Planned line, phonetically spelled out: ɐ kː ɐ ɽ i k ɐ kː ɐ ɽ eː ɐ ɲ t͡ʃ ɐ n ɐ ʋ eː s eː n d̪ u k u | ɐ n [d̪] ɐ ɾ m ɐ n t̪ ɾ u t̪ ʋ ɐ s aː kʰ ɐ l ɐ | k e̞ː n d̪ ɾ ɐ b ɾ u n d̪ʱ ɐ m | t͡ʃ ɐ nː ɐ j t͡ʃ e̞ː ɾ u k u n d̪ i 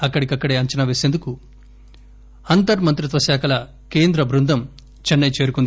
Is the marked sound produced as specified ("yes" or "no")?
no